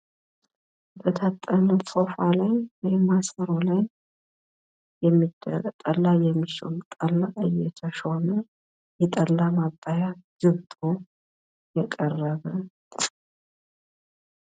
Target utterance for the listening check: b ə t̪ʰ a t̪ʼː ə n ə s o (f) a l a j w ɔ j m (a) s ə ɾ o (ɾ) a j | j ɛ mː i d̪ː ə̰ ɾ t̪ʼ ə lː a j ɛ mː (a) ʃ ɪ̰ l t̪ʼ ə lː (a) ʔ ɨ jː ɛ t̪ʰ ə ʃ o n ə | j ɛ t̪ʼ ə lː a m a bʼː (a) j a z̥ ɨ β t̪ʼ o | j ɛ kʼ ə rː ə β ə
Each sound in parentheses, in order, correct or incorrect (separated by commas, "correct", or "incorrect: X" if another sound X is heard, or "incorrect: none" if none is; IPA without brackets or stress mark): correct, correct, incorrect: l, incorrect: i, correct, correct